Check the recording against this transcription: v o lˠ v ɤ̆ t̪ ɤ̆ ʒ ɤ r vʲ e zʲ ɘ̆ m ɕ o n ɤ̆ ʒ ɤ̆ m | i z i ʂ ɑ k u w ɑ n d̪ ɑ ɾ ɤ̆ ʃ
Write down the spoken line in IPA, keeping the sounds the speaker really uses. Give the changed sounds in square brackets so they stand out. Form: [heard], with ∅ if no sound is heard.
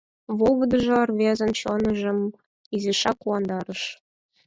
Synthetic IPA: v o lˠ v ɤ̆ [d̪] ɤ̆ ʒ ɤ r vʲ e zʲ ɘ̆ [n] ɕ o n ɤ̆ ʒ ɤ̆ m | i z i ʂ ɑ k u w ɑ n d̪ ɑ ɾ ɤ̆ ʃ